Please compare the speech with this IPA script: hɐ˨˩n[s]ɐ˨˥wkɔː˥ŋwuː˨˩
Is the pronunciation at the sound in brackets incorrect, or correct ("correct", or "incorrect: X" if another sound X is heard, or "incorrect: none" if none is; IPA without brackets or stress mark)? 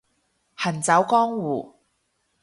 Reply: incorrect: t͡s